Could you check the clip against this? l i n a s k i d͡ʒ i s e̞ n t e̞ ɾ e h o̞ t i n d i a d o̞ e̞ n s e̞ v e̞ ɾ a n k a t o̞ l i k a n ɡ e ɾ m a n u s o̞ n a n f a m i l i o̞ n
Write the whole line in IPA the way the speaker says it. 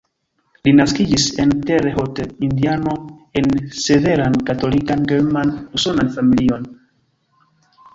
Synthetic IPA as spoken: l i n a s k i d͡ʒ i s e̞ n t e̞ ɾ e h o̞ t i n d i a n o̞ e̞ n s e̞ v e̞ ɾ a n k a t o̞ l i k a n ɡ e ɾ m a n u s o̞ n a n f a m i l i o̞ n